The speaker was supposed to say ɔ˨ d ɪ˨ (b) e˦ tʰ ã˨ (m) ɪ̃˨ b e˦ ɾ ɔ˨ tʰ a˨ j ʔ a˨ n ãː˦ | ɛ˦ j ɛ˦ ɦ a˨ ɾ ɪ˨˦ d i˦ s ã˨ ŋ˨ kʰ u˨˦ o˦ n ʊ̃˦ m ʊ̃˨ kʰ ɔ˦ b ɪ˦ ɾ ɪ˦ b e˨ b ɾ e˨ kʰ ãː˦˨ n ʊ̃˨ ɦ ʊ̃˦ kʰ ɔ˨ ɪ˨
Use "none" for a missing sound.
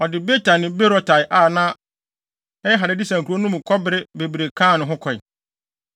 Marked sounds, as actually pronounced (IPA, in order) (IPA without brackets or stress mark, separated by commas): b, n